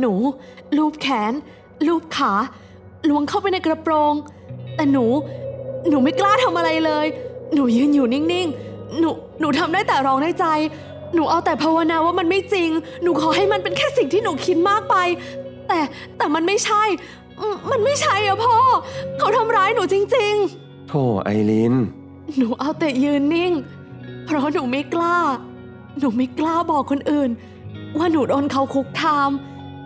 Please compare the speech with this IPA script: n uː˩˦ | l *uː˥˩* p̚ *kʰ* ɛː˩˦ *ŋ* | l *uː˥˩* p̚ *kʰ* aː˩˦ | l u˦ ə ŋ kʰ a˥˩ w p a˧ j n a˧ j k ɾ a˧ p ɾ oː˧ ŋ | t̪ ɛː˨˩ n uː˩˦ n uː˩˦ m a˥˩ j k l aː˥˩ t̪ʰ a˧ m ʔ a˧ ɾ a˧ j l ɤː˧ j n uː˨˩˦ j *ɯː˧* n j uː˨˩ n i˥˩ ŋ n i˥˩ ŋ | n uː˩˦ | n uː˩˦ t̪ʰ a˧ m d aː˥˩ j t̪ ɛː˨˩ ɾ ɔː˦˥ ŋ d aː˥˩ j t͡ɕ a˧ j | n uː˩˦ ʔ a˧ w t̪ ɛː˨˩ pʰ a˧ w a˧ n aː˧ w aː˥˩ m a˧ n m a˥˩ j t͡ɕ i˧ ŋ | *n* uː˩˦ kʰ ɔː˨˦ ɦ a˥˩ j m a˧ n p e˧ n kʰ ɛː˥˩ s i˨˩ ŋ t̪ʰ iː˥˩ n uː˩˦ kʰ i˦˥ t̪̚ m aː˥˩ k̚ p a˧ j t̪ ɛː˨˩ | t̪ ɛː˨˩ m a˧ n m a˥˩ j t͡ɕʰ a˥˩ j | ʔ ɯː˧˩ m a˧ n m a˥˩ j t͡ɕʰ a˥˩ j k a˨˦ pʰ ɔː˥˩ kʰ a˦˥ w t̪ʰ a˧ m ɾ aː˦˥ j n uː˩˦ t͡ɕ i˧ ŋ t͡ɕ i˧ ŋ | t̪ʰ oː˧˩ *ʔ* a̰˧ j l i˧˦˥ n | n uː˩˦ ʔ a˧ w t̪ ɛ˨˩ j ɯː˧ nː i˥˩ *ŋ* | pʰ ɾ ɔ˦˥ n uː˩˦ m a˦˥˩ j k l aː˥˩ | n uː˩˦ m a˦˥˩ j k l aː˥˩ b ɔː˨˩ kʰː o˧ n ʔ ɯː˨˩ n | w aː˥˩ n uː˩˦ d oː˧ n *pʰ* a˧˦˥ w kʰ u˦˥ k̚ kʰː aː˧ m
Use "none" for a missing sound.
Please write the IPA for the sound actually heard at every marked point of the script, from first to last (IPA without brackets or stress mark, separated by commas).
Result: uː˥˩, kʰ, n, uː˥˩, kʰ, ɯː˧, n, ʔ, ŋ, kʰ